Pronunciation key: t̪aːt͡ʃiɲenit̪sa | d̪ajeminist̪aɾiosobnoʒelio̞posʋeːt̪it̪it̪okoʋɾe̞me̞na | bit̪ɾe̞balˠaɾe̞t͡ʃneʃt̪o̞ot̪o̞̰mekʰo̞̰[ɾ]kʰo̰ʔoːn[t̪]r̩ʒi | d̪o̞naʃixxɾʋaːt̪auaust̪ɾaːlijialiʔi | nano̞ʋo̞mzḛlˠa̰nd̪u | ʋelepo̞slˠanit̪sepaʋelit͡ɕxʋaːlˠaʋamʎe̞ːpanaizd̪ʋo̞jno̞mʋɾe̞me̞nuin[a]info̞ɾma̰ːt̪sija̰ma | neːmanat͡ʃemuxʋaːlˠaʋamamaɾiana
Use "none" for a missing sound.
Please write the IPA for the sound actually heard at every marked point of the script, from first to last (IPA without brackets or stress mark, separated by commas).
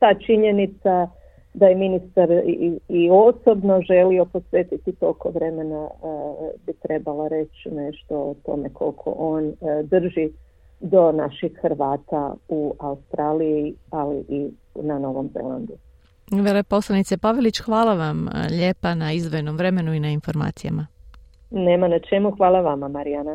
l, d̪, a